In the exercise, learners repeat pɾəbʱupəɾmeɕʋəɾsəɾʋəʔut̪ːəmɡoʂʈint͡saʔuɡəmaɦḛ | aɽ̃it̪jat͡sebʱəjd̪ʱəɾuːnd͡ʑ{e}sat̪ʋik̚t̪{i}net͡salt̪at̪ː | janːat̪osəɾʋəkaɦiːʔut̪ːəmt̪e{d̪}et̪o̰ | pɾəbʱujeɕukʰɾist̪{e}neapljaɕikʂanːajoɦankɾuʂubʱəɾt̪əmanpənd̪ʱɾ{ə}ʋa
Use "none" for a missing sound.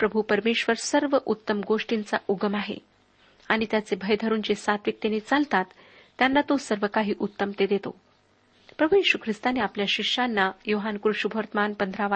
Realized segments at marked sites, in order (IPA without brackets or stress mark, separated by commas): e, e, d̪, a, a